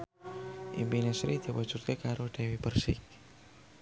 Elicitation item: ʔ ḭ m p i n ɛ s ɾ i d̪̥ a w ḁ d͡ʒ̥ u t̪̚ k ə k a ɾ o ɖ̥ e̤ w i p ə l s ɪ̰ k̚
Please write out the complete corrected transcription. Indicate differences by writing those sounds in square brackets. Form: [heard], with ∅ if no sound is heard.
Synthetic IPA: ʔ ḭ m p i n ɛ s ɾ i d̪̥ [i] w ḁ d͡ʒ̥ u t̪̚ k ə k a ɾ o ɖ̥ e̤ w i p ə [r] s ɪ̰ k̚